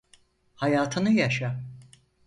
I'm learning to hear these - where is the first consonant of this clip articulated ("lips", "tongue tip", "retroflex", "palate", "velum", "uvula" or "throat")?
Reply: throat